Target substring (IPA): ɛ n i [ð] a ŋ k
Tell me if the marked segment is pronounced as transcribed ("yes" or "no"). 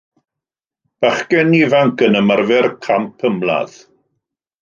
no